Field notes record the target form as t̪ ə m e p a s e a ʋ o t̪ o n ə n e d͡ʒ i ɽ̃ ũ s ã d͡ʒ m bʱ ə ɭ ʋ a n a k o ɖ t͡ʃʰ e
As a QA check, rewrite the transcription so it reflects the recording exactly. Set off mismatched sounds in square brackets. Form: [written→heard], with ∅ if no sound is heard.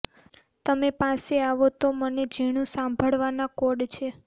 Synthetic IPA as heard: t̪ ə m e p a s e a ʋ o t̪ o [n→m] ə n e d͡ʒ i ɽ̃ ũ s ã [d͡ʒ→∅] m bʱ ə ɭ ʋ a n a k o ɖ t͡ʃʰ e